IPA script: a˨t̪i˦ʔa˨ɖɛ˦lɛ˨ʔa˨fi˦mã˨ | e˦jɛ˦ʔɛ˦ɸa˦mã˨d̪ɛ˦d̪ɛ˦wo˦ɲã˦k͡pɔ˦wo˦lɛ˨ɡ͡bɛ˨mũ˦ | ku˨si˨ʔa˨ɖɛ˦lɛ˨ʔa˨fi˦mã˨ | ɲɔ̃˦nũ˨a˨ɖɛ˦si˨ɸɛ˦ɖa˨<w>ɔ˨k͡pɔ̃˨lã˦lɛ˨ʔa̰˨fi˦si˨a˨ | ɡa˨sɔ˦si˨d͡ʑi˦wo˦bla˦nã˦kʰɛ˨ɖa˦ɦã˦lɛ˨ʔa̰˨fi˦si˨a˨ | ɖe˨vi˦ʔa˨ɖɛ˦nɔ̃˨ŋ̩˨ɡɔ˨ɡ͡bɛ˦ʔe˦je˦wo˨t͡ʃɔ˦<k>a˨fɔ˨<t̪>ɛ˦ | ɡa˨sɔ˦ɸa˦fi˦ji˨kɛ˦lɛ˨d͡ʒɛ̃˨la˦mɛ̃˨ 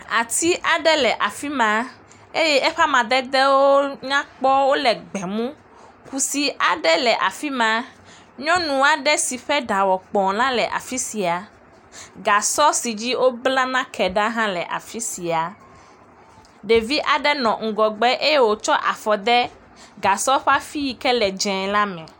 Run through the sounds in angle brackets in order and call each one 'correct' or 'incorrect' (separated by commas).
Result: correct, incorrect, incorrect